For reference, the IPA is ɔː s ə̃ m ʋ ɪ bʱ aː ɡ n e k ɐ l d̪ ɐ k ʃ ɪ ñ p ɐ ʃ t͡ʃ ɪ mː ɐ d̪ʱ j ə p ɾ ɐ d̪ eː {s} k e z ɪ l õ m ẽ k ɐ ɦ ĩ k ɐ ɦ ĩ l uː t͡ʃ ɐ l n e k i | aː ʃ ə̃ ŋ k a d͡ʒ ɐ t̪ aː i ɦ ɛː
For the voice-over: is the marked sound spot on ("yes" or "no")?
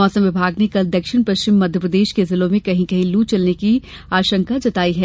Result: no